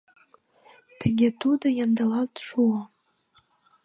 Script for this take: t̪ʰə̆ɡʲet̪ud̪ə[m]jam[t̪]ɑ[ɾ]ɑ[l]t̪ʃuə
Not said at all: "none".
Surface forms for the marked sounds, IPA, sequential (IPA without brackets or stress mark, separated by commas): none, d̪, l, l